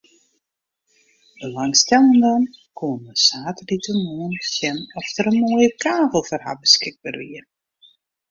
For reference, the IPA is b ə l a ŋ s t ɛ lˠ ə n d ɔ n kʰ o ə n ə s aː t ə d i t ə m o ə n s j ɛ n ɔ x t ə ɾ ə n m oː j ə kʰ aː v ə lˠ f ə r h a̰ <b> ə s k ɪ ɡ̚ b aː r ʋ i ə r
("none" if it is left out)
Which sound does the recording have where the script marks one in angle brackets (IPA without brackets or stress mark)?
b